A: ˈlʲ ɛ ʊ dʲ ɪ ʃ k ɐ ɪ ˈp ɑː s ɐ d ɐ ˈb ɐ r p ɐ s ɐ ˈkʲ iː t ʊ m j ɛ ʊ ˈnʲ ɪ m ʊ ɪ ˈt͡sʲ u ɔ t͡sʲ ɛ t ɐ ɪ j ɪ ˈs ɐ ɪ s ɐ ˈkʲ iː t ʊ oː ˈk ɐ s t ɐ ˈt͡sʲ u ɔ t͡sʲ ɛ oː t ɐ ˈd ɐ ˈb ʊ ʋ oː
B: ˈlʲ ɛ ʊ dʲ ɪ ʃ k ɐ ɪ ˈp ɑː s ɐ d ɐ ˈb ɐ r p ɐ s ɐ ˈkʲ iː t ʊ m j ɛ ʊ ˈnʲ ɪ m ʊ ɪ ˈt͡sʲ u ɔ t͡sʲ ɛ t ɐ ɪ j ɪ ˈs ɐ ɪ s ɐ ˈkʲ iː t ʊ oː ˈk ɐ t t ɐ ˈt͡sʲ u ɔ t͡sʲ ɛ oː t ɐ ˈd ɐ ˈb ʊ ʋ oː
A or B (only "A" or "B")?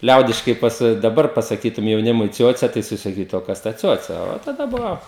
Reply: A